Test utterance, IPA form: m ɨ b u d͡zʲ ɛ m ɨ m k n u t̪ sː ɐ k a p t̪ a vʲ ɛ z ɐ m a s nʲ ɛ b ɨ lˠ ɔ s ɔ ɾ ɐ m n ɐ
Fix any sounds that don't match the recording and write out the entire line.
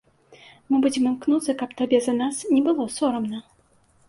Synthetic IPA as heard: m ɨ b u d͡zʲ ɛ m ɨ m k n u t̪ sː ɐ k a p t̪ a bʲ ɛ z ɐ n a s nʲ ɛ b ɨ lˠ ɔ s ɔ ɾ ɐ m n ɐ